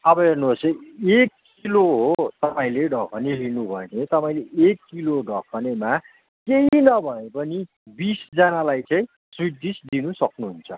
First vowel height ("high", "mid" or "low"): mid